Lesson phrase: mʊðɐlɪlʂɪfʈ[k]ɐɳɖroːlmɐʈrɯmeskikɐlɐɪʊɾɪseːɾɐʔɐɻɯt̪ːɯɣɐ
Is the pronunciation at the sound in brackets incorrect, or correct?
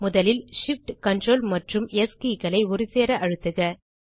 correct